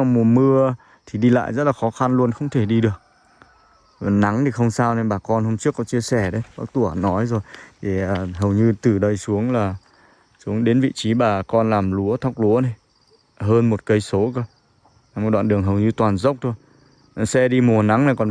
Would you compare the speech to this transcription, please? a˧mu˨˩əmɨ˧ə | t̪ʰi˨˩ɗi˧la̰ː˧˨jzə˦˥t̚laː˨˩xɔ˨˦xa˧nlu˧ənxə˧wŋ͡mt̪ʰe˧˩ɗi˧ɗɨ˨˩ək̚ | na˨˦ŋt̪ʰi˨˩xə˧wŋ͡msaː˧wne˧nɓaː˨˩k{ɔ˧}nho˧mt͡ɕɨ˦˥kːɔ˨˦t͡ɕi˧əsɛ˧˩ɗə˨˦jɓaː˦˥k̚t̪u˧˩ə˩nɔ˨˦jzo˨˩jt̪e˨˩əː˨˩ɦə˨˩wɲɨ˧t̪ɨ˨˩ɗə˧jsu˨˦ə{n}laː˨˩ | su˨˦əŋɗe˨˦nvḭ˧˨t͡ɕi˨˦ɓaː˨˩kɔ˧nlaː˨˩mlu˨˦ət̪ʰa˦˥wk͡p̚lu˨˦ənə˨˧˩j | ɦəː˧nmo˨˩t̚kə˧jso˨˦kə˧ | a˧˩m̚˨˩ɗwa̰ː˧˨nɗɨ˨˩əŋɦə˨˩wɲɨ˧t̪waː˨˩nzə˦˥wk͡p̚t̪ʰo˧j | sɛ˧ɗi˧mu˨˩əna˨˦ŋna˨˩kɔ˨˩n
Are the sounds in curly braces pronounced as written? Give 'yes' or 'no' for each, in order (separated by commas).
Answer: yes, no